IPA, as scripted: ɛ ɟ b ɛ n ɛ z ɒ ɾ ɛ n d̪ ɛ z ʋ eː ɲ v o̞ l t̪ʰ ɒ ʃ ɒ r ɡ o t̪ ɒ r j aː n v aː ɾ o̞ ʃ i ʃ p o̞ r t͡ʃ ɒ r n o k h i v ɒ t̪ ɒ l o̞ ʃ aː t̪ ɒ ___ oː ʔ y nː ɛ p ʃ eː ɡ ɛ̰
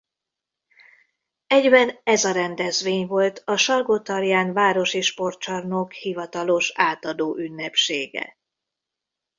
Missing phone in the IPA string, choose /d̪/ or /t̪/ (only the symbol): d̪